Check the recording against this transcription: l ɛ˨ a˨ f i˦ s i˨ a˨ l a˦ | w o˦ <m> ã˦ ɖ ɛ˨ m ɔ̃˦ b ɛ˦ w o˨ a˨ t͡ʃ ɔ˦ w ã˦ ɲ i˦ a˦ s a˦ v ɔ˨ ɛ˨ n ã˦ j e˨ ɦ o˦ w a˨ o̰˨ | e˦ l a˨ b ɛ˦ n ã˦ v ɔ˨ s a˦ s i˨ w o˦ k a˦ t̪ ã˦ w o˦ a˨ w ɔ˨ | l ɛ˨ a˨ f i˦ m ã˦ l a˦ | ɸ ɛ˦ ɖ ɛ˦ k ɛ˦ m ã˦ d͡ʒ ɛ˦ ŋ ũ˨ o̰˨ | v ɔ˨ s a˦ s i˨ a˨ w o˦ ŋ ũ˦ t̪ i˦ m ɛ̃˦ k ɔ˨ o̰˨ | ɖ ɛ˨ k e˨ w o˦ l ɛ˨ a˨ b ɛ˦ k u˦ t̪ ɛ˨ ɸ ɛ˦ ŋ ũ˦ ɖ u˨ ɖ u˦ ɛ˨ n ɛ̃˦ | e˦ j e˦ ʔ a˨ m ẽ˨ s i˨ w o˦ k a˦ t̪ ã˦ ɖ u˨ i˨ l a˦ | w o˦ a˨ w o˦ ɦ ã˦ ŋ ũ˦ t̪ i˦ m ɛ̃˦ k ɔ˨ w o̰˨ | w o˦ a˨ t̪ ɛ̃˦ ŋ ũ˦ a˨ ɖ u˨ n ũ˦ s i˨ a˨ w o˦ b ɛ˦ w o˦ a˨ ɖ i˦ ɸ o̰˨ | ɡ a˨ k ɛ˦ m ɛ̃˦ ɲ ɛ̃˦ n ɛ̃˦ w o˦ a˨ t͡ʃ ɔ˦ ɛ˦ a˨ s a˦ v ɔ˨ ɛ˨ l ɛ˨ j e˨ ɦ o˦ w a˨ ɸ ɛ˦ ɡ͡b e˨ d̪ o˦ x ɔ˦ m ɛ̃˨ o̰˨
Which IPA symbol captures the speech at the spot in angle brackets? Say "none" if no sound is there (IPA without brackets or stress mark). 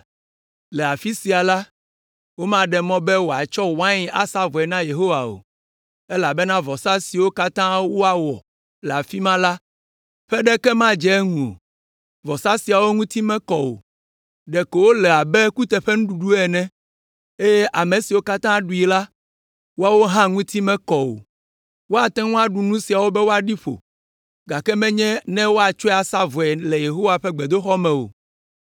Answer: m